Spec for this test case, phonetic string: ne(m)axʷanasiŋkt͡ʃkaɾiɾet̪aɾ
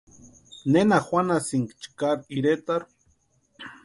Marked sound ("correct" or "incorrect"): incorrect